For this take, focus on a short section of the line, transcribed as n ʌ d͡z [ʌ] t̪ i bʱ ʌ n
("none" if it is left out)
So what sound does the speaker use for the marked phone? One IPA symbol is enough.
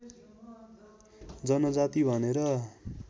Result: a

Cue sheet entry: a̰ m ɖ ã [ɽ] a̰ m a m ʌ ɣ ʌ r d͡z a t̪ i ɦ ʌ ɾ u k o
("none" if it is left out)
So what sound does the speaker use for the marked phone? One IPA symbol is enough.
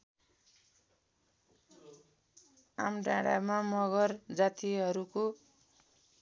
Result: ɽ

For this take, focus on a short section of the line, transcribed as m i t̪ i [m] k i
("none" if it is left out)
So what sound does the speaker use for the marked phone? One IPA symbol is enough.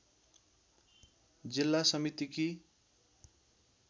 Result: none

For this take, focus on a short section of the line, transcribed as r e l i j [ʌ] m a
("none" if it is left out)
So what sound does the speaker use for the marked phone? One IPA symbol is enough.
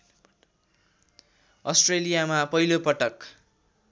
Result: a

